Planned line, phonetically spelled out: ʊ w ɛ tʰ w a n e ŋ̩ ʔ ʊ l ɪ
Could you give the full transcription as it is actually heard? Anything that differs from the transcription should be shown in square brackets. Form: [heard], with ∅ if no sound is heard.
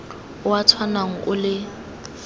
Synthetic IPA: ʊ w [a] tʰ w a n [a] ŋ̩ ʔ ʊ l ɪ